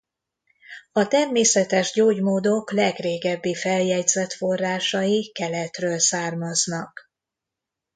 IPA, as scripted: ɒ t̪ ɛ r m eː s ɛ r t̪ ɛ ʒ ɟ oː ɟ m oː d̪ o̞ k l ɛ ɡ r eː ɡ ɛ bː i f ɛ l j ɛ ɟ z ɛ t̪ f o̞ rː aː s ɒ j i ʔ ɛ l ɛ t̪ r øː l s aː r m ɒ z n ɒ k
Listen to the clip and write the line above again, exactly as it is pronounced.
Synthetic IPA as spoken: ɒ t̪ ɛ r m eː s ɛ t̪ ɛ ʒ ɟ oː ɟ m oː d̪ o̞ k l ɛ ɡ r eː ɡ ɛ bː i f ɛ l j ɛ ɟ z ɛ t̪ f o̞ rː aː ʃ ɒ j i k ɛ l ɛ t̪ r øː l s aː r m ɒ z n ɒ k